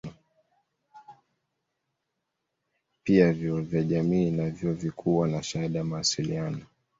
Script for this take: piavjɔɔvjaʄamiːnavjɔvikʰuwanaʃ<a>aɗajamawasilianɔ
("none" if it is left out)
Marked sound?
a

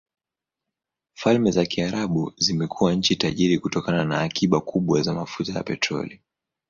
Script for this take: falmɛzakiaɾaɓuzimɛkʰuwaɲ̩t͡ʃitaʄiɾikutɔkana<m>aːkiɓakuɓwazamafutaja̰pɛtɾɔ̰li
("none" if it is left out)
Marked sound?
n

